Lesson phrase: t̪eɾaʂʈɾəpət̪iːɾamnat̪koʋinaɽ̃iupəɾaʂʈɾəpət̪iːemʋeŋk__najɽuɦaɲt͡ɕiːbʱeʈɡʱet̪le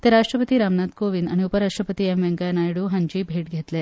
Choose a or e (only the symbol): a